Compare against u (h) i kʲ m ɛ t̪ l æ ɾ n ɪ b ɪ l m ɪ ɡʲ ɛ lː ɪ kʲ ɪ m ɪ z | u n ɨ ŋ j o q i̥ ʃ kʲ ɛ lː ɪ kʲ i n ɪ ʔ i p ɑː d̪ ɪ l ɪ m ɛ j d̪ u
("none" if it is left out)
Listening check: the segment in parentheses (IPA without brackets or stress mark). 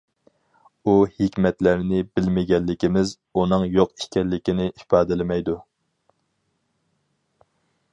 h